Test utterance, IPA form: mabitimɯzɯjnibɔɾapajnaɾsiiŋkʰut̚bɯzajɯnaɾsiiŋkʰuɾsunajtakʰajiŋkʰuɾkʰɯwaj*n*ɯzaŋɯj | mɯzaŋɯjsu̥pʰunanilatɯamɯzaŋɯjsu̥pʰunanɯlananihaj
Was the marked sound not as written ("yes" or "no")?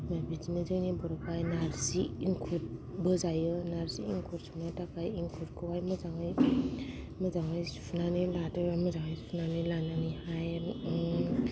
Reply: yes